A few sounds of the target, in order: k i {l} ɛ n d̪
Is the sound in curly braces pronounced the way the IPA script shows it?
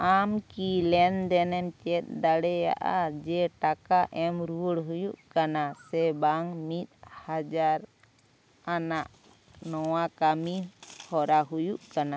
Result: yes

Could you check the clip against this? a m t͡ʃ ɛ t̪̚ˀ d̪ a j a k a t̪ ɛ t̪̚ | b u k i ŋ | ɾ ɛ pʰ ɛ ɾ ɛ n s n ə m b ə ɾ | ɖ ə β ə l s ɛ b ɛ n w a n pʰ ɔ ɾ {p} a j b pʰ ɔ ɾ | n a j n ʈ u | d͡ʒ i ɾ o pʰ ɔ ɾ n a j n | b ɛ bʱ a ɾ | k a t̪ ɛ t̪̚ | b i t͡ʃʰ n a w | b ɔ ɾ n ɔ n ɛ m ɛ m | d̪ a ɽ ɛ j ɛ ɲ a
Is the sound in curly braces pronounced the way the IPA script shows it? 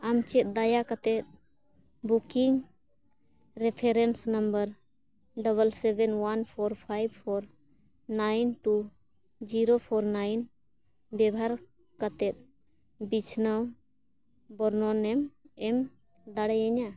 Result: no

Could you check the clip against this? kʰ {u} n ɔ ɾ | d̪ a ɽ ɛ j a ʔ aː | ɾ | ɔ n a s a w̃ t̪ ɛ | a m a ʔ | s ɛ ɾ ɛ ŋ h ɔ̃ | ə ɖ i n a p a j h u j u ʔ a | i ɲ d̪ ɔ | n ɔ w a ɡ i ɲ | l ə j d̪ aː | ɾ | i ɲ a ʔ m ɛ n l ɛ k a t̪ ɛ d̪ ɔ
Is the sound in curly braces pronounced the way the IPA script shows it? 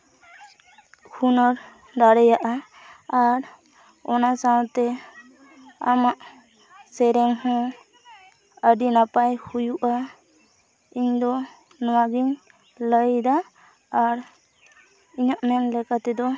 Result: yes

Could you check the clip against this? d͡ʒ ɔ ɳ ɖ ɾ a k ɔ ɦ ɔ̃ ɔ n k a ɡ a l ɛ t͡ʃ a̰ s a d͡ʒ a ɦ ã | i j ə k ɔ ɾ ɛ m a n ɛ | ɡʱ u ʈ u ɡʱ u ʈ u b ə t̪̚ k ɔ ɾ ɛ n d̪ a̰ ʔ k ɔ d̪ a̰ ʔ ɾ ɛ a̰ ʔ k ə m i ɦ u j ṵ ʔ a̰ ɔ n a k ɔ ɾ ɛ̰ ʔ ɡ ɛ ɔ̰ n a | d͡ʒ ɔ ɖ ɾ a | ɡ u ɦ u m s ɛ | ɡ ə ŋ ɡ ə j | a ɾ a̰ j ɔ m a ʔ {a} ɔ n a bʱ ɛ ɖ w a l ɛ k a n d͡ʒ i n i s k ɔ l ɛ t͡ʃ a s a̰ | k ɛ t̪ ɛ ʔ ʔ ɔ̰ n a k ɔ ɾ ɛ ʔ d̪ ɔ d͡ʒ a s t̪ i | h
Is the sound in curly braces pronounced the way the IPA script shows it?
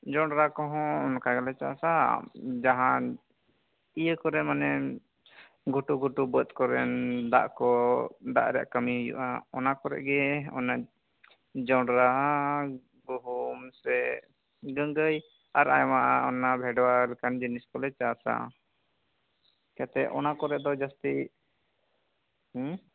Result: yes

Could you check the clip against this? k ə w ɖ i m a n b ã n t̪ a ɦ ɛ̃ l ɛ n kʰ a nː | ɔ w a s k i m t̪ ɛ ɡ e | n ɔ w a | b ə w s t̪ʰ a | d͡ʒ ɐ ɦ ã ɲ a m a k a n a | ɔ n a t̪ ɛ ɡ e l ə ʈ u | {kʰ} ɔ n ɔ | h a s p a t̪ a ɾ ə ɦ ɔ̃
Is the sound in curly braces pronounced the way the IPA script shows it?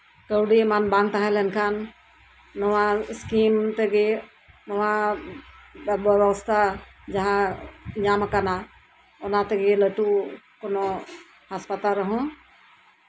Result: no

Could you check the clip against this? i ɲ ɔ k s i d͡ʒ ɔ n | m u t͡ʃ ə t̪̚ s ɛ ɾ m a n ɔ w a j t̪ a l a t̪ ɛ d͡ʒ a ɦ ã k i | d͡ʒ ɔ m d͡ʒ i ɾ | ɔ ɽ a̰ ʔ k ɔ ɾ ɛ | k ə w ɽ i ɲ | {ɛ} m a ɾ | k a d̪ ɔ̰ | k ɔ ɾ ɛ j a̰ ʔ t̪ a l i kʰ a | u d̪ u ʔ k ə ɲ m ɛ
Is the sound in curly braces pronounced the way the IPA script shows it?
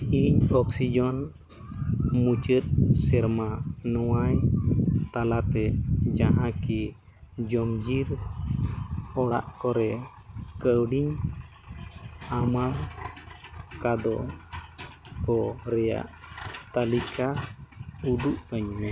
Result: no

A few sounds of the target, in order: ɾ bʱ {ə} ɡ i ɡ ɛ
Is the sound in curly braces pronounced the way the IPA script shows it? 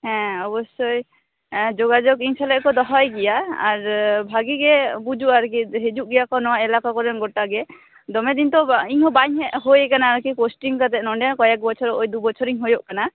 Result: no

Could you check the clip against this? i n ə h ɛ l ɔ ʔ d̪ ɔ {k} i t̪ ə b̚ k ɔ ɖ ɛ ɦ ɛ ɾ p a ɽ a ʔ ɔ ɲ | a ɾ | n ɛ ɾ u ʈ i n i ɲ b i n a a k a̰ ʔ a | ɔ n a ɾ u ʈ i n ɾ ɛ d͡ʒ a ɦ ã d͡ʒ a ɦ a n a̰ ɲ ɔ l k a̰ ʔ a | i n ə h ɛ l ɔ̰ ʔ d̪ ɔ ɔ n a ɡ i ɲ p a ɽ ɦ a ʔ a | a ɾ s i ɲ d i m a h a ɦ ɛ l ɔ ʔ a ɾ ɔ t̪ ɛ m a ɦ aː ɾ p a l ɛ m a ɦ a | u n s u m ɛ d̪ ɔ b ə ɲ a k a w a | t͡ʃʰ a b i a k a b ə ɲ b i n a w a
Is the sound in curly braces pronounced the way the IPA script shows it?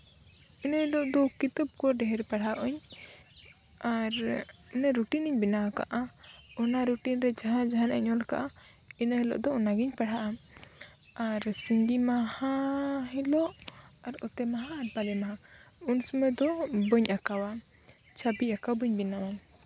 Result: yes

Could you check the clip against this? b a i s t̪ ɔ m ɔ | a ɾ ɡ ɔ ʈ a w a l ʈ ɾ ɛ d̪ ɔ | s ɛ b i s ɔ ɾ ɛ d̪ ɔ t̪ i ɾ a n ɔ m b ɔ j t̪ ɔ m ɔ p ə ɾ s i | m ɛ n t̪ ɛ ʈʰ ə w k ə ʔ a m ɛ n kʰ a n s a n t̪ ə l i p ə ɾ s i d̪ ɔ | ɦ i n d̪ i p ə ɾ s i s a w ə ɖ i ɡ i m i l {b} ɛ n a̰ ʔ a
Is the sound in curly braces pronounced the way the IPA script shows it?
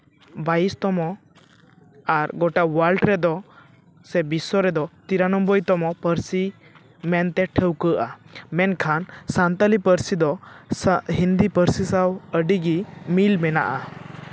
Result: no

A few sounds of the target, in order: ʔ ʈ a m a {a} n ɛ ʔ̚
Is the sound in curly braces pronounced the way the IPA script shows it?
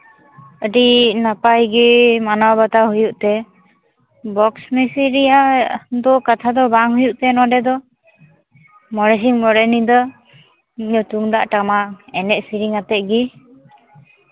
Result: no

